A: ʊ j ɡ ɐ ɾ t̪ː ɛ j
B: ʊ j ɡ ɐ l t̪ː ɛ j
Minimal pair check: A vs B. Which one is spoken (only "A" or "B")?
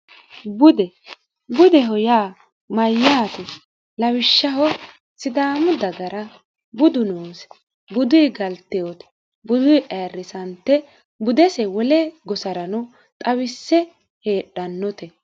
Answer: B